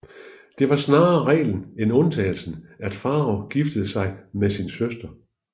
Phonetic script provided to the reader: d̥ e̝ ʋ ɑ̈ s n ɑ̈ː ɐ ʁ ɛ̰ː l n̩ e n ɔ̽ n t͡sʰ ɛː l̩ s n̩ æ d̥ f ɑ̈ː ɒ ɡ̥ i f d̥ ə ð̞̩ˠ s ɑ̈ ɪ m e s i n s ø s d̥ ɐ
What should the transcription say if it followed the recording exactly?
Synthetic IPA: d̥ e̝ ʋ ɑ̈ s n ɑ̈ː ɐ ʁ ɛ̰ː l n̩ e n ɔ̽ n t͡sʰ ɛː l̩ s n̩ æ d̥ f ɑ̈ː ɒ ɡ̥ i f d̥ ə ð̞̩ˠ s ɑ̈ ɪ m e s i n s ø s d̥ ɐ

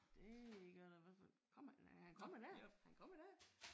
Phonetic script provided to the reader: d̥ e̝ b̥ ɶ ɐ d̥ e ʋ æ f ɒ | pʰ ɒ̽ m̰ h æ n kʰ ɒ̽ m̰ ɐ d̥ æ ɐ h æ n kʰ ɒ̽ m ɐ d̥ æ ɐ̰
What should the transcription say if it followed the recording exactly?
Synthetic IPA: d̥ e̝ ɡ̥ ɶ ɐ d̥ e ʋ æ f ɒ | kʰ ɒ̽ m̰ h æ n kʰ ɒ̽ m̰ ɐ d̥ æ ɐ h æ n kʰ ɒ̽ m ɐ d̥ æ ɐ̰

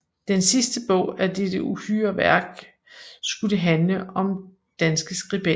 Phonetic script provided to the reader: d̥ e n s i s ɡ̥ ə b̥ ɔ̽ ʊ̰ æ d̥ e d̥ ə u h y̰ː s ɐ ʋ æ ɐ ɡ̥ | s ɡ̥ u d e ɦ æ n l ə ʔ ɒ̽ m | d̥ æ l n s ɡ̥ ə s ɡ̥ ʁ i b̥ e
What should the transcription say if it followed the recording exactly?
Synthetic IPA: d̥ e n s i s d̥ ə b̥ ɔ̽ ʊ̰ æ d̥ e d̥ ə u h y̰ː ɐ ʋ æ ɐ ɡ̥ | s ɡ̥ u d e ɦ æ n l ə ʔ ɒ̽ m | d̥ æ n s ɡ̥ ə s ɡ̥ ʁ i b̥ e

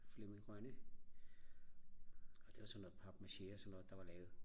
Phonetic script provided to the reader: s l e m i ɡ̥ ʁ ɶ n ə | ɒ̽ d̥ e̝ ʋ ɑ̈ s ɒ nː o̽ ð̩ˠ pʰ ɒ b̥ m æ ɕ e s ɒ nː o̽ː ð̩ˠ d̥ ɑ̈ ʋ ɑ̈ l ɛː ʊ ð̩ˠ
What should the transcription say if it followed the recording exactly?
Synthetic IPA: f l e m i ɡ̥ ʁ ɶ n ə | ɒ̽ d̥ e̝ ʋ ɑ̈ s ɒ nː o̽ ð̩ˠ pʰ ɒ b̥ m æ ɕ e s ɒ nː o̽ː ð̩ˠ d̥ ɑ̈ ʋ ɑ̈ l ɛː ʊ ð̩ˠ

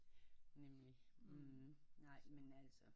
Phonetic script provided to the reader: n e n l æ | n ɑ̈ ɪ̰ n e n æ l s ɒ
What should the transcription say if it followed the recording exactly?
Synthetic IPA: n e m l i | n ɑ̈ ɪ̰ m e n æ l s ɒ

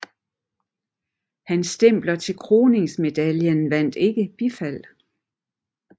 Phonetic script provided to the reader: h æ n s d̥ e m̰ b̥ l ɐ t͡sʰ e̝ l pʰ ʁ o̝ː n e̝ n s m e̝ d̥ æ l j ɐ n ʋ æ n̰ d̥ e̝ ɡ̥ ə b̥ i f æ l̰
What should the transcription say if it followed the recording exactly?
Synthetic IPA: h æ n s d̥ e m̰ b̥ l ɐ t͡sʰ e̝ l kʰ ʁ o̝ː n e̝ ŋ s m e̝ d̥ æ l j ə n ʋ æ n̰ d̥ e̝ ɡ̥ ə b̥ i f æ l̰

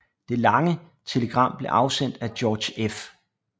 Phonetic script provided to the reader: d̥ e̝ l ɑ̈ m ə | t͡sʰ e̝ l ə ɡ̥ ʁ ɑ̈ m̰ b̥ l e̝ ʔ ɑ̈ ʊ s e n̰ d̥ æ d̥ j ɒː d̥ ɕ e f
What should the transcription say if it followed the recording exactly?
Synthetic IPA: d̥ e̝ l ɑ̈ ŋ ə | t͡sʰ e̝ l ə ɡ̥ ʁ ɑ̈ m̰ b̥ l e̝ ʔ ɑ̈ ʊ s e n̰ d̥ æ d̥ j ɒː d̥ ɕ e f

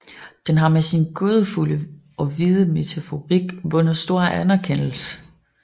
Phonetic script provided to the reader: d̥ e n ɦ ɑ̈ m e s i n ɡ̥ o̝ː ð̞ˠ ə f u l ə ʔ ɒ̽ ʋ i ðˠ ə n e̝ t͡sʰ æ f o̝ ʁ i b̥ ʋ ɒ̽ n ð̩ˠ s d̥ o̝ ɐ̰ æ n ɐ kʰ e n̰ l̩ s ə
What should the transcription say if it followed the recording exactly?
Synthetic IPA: d̥ e n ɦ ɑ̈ m e s i n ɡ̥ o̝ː ð̞ˠ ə f u l ə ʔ ɒ̽ ʋ i ðˠ ə m e̝ t͡sʰ æ f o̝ ʁ i ɡ̥ ʋ ɔ̽ n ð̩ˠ s d̥ o̝ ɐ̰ æ n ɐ kʰ e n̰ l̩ s ə

